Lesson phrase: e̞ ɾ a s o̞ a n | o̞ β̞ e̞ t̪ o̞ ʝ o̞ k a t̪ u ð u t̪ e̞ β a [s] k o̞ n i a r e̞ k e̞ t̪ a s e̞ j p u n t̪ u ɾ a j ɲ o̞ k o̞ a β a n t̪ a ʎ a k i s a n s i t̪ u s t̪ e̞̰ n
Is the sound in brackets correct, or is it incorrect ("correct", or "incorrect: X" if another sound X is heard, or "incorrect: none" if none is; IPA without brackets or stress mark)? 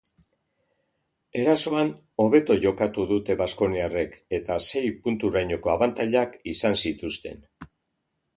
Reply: correct